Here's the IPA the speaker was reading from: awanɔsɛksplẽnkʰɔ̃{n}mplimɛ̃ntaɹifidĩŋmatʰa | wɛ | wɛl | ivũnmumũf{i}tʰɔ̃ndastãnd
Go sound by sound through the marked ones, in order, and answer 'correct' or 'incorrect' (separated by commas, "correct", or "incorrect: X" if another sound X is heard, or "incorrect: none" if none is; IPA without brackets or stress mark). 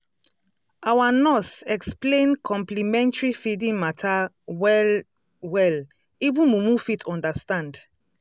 incorrect: none, correct